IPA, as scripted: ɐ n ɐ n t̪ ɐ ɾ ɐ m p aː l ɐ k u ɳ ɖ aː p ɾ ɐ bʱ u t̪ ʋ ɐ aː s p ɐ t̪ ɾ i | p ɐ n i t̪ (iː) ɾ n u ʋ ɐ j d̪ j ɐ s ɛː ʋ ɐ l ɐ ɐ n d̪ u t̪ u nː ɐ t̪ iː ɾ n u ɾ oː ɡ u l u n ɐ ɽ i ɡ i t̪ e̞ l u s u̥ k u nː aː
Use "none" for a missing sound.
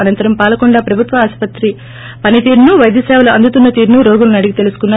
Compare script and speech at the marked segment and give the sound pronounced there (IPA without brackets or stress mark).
iː